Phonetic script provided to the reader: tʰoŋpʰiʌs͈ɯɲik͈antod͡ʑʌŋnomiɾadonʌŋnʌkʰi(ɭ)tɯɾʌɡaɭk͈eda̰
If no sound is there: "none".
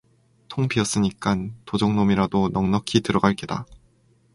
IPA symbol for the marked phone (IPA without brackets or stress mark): none